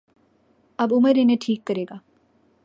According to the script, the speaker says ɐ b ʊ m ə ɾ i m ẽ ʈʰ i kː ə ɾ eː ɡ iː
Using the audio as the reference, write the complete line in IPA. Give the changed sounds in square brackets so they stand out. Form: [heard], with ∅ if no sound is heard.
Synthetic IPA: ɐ b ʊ m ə ɾ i [n] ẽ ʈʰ [iː] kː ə ɾ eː ɡ [aː]